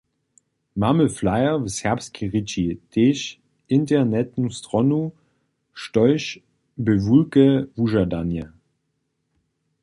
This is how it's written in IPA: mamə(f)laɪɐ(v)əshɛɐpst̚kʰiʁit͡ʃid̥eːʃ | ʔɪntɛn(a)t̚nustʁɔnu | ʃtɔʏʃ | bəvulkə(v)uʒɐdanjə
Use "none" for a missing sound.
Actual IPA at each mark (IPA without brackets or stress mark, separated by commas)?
f, v, ɛ, v